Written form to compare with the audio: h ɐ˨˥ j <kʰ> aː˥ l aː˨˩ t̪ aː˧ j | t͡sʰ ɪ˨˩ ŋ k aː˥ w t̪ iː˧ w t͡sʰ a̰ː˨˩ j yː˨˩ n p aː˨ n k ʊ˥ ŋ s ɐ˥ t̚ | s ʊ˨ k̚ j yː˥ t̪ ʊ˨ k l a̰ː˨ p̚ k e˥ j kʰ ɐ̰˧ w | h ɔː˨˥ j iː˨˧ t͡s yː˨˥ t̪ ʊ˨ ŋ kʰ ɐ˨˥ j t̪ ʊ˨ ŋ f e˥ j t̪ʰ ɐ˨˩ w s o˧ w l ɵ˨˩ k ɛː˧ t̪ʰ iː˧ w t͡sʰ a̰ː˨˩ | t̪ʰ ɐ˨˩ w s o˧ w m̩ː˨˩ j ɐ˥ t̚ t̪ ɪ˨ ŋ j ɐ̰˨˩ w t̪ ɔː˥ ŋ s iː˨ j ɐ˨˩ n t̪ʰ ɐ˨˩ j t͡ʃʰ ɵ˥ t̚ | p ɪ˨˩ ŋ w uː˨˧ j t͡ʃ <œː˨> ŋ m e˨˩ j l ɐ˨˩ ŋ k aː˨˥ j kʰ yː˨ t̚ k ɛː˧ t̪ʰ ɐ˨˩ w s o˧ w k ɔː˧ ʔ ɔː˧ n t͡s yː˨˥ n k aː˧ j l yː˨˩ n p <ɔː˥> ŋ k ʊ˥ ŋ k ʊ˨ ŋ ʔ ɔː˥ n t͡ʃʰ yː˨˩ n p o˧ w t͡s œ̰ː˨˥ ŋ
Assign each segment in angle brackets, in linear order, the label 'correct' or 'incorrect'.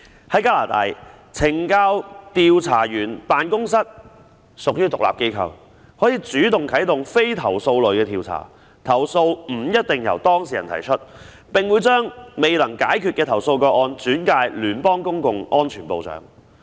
incorrect, incorrect, correct

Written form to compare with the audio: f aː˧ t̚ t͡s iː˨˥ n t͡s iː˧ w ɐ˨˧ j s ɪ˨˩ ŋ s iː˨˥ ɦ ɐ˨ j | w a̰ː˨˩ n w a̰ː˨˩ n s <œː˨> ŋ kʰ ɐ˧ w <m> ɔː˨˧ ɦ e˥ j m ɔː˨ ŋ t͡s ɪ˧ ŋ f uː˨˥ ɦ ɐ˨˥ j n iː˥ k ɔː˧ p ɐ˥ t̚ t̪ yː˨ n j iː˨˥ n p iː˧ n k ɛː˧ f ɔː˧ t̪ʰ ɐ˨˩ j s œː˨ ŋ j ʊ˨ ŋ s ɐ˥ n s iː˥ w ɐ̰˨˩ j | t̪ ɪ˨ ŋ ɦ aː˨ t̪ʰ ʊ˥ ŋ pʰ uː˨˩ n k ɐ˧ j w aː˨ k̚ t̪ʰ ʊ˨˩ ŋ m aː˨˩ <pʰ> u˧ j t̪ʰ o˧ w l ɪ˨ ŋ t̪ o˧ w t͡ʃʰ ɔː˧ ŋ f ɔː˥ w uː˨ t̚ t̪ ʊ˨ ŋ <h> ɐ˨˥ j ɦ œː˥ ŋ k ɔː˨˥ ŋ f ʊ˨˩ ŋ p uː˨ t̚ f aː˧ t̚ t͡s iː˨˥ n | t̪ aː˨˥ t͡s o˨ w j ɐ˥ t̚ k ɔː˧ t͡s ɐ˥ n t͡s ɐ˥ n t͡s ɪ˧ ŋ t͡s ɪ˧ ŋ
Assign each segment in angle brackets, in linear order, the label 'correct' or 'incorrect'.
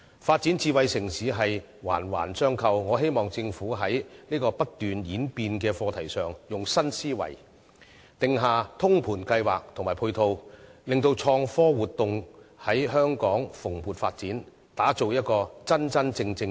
incorrect, incorrect, correct, correct

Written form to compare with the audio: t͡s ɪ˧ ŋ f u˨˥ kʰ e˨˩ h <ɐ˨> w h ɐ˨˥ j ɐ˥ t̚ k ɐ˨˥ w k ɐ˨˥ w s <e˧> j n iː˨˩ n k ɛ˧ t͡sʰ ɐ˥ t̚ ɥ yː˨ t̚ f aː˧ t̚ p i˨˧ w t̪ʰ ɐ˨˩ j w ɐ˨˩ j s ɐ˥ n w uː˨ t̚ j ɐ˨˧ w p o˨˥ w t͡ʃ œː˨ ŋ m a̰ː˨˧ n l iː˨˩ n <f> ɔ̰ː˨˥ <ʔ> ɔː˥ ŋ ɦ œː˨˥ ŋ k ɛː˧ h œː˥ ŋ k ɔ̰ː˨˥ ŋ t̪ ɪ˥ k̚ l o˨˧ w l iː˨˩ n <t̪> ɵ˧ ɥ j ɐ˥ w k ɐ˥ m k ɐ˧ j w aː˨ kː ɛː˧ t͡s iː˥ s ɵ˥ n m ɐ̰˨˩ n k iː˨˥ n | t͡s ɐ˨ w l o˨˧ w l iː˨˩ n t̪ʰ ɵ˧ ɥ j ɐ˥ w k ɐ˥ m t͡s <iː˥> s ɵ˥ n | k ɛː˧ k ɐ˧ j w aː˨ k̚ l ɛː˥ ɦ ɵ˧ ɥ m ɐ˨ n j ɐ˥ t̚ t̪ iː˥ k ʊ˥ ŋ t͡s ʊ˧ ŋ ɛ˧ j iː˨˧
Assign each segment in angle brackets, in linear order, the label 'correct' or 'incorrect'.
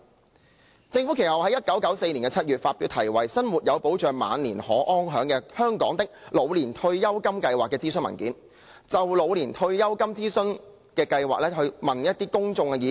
correct, correct, incorrect, correct, incorrect, correct

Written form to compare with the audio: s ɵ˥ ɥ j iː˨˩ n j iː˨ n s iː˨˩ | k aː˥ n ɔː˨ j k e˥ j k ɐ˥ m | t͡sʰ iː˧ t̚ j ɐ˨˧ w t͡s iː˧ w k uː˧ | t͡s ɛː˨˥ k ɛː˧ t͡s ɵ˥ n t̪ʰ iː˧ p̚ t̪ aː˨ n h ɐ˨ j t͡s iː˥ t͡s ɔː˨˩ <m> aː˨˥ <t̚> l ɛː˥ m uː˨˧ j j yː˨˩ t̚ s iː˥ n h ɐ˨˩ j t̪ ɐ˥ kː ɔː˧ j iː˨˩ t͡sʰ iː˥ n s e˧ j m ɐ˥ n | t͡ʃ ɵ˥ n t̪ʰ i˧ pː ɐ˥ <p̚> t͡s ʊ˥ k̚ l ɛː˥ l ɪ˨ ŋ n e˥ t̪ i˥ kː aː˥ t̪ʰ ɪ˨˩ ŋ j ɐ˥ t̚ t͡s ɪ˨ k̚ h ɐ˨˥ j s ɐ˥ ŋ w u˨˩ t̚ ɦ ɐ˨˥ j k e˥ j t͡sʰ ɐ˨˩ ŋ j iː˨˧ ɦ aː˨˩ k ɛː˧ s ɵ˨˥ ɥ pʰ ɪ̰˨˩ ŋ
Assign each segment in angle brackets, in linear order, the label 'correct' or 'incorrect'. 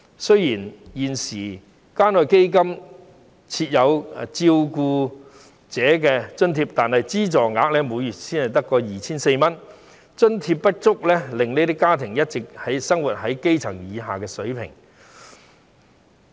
incorrect, incorrect, incorrect

